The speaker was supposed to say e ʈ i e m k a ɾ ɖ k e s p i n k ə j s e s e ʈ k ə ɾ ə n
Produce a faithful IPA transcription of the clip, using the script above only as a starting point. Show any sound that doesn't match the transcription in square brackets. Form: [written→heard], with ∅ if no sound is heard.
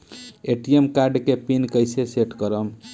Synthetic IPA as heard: e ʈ i e m k a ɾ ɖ k e [s→∅] p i n k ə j s e s e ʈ k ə ɾ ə [n→m]